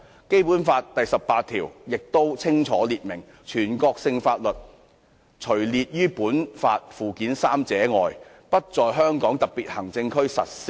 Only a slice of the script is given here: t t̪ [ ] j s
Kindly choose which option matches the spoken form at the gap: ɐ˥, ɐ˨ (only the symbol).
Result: ɐ˨